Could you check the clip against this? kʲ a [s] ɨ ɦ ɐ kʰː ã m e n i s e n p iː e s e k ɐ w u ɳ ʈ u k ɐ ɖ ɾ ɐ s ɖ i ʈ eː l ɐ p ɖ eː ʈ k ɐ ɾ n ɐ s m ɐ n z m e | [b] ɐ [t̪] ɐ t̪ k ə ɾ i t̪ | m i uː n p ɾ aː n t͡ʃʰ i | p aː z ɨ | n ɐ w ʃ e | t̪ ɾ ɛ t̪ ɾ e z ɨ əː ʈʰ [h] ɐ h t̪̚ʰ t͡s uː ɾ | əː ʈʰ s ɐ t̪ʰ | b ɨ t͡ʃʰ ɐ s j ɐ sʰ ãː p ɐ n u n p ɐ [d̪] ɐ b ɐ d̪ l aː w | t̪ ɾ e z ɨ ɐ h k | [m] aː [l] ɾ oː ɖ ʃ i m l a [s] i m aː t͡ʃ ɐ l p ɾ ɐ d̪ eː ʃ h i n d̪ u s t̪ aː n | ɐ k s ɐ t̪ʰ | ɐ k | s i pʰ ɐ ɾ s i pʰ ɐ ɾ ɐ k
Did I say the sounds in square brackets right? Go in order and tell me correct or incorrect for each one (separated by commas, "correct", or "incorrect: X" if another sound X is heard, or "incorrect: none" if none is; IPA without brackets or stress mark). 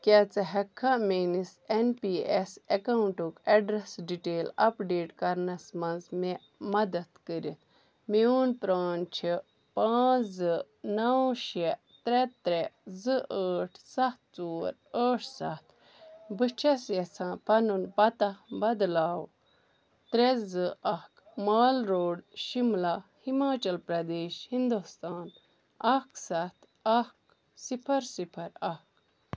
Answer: incorrect: t͡s, incorrect: m, incorrect: d̪, incorrect: s, incorrect: t̪, correct, correct, incorrect: h